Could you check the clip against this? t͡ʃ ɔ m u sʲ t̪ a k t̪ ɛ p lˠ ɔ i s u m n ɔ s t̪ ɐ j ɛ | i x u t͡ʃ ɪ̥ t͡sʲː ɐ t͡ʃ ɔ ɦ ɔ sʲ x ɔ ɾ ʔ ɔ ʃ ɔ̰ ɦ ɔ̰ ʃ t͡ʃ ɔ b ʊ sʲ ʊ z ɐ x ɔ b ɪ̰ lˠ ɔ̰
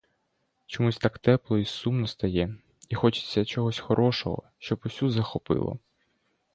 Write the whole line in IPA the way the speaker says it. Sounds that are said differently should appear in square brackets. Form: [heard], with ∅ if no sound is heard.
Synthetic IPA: t͡ʃ ɔ m u sʲ t̪ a k t̪ ɛ p lˠ ɔ i s u m n ɔ s t̪ ɐ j ɛ | i x [ɔ] t͡ʃ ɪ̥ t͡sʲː ɐ t͡ʃ ɔ ɦ ɔ sʲ x ɔ ɾ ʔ ɔ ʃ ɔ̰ ɦ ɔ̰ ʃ t͡ʃ ɔ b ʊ sʲ [u] z ɐ x ɔ [p] ɪ̰ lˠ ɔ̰